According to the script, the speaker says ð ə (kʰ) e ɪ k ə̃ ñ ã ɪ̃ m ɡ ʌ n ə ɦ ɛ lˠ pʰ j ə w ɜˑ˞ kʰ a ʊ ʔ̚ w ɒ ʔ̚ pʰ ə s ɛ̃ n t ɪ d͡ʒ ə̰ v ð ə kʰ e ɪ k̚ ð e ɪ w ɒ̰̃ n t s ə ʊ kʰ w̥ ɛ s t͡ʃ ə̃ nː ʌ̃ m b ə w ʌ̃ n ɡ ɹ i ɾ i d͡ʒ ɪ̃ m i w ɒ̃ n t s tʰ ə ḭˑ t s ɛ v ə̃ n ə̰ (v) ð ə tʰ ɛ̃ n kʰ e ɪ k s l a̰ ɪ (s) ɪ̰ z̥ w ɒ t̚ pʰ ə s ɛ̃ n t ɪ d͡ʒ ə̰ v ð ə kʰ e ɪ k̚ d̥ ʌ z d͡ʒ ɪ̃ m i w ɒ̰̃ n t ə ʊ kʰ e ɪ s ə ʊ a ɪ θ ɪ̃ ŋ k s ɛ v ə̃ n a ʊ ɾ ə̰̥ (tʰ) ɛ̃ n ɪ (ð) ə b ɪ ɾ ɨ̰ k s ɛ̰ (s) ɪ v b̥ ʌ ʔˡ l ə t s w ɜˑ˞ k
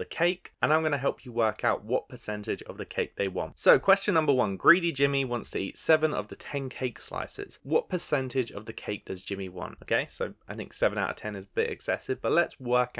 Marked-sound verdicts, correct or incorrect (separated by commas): correct, correct, correct, correct, incorrect, correct